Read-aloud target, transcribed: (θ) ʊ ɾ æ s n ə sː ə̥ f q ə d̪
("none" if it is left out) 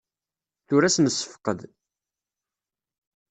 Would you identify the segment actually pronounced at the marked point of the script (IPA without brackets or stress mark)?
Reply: θ